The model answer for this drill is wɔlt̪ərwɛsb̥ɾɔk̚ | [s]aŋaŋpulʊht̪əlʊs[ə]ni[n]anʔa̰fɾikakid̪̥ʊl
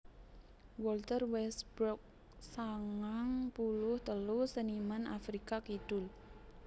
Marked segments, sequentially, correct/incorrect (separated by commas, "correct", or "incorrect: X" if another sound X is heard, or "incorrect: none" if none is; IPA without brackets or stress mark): correct, correct, incorrect: m